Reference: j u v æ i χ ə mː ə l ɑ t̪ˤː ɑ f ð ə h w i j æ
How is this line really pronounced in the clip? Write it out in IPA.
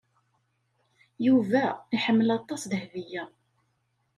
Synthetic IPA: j u v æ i ħ ə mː ə l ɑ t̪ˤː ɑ s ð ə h v i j æ